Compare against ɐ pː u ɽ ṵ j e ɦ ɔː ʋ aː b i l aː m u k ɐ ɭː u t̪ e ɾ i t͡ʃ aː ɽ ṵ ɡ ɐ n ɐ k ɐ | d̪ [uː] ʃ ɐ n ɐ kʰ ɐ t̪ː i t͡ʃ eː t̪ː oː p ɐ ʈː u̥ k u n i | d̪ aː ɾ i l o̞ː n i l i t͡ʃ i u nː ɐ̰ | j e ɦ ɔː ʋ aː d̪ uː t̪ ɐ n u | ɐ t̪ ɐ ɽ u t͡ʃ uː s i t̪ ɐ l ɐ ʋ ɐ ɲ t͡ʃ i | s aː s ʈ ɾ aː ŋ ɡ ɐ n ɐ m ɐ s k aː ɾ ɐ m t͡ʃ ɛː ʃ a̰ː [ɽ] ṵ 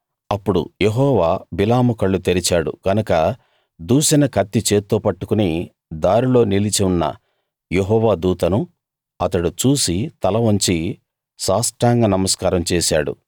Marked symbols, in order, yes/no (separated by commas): yes, yes